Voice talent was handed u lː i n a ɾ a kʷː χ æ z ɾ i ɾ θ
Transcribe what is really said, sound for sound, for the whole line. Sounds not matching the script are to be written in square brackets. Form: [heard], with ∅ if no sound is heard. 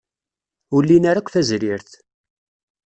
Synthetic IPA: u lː i n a ɾ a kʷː [θ] æ z ɾ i ɾ θ